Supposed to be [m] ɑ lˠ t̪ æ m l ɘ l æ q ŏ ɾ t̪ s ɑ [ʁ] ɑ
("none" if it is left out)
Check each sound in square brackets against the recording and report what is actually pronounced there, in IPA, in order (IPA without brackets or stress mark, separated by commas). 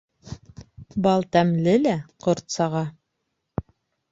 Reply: b, ʁ